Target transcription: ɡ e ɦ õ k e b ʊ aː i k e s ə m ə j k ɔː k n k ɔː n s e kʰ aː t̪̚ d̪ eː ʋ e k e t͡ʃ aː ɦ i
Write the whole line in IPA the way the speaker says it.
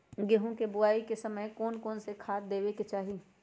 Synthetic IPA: ɡ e ɦ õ k e b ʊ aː i k e s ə m ə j k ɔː n k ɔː n s e kʰ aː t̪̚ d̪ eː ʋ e k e t͡ʃ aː ɦ i